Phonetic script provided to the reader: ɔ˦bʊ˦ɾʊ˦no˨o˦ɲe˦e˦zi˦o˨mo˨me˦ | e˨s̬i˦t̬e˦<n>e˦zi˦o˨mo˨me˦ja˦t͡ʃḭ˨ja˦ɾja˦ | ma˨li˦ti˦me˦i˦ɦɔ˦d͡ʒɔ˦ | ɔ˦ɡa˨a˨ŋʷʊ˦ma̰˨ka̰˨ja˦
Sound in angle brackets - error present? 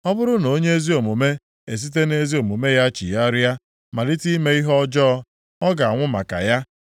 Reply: no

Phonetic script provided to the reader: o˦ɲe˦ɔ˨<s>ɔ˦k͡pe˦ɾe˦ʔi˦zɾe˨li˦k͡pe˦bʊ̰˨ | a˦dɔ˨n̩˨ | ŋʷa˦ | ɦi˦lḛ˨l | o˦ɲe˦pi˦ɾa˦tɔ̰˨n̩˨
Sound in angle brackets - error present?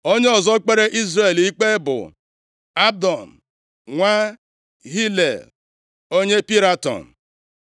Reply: yes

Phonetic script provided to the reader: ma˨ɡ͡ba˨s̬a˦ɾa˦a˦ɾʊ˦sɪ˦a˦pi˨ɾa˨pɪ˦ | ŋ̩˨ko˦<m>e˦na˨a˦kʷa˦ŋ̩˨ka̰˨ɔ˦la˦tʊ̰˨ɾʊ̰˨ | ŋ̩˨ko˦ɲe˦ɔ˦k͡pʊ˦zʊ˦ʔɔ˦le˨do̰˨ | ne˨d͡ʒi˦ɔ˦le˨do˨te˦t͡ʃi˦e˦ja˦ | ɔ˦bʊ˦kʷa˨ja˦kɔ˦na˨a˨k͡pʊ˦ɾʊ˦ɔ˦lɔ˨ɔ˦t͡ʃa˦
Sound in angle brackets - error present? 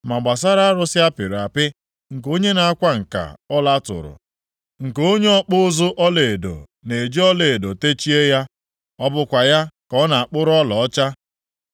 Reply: yes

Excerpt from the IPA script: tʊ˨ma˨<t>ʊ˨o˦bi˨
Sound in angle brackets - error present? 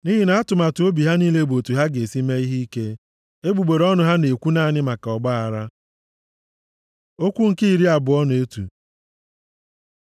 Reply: no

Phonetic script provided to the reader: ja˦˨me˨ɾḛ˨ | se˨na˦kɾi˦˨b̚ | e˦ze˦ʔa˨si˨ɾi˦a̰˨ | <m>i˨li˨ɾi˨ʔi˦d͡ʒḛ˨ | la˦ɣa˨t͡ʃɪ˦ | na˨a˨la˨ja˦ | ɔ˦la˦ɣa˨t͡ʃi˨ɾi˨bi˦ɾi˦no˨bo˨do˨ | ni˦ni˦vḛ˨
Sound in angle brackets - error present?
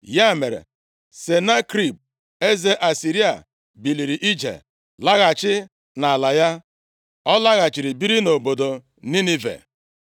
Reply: yes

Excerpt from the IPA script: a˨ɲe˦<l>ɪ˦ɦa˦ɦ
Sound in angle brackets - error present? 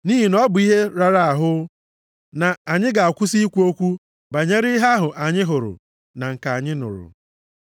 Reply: yes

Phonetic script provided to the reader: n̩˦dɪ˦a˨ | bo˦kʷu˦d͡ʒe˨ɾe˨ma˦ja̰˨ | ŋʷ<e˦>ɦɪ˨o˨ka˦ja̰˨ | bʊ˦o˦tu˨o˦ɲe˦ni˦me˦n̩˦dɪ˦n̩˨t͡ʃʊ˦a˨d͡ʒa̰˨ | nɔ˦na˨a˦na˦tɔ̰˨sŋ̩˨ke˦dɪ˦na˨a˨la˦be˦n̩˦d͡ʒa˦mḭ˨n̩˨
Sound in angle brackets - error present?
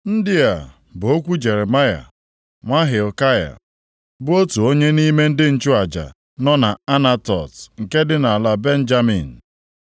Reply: yes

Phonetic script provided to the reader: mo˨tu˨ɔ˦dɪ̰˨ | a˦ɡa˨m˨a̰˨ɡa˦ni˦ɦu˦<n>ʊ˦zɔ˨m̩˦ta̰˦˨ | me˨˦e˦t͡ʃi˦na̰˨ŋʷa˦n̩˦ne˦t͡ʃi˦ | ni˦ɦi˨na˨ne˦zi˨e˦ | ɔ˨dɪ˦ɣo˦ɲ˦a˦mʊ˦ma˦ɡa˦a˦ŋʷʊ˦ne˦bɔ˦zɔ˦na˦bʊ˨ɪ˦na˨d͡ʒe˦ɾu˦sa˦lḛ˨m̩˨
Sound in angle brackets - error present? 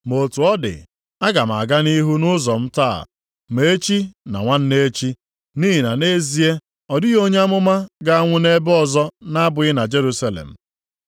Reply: no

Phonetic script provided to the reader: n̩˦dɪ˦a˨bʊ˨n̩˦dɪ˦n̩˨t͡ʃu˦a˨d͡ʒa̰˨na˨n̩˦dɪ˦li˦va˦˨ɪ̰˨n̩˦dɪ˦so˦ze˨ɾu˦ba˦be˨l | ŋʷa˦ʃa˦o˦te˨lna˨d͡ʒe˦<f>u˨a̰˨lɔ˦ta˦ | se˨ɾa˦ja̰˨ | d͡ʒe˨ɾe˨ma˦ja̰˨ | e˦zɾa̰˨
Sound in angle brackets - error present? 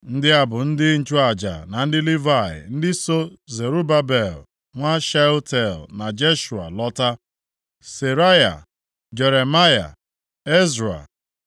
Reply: yes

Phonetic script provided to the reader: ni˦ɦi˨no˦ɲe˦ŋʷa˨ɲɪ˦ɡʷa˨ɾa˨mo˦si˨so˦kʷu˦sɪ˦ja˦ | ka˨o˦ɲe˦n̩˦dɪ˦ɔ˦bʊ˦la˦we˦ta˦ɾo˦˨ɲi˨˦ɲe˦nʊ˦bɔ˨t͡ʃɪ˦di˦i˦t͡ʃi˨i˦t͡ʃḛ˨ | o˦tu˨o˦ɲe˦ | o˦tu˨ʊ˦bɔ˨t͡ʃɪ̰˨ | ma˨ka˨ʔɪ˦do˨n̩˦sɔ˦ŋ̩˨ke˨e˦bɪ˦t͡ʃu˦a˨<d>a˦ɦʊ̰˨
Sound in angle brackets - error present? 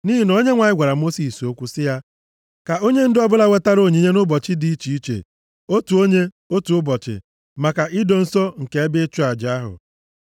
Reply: yes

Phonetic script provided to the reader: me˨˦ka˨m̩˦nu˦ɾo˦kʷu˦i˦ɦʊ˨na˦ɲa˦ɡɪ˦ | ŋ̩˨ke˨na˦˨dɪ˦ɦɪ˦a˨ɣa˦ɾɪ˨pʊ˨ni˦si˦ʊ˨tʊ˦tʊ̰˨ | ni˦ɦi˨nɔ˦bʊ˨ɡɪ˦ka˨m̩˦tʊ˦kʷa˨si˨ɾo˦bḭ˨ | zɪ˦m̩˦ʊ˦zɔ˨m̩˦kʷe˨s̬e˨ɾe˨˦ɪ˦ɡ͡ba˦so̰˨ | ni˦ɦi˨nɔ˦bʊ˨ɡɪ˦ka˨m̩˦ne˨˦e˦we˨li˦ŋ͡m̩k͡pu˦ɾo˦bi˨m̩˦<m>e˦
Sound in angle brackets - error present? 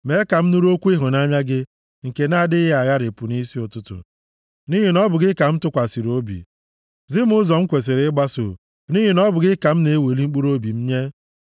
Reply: yes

